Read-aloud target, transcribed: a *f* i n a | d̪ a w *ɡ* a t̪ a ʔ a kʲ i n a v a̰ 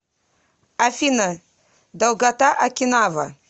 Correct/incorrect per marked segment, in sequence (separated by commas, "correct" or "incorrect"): correct, correct